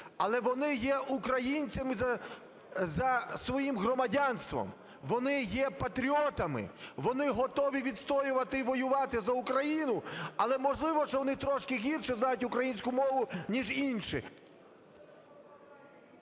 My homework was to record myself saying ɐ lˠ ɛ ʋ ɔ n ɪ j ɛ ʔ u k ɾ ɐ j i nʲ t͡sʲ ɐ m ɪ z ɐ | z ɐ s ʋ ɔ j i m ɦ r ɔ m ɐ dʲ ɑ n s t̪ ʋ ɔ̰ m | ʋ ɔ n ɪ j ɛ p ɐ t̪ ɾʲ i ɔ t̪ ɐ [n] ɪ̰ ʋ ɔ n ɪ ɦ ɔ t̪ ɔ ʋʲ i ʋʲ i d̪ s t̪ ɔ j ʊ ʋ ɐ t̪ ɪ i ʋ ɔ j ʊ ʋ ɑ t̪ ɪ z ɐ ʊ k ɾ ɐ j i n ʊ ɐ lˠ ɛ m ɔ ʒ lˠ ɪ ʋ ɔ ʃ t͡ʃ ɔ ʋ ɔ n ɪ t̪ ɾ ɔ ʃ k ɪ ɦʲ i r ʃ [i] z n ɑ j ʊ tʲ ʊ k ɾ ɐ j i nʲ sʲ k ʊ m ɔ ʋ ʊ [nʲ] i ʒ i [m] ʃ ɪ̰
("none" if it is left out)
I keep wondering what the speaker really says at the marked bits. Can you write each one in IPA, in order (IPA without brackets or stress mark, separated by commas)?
m, ɛ, nʲ, n